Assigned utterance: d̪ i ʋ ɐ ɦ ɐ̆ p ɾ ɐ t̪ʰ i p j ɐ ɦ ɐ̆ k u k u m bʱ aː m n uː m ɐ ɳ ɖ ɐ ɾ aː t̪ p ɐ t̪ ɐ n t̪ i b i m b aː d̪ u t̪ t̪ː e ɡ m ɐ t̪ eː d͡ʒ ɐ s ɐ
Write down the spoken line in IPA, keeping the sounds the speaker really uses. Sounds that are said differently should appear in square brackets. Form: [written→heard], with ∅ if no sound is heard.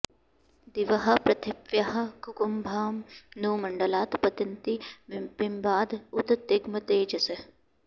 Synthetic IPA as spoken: d̪ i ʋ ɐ ɦ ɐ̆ p ɾ ɐ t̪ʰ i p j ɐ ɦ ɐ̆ k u k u m bʱ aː m n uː m ɐ ɳ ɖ ɐ [ɾ→l] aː t̪ p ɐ t̪ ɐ n t̪ i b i m b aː d̪ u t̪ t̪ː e ɡ m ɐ t̪ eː d͡ʒ ɐ s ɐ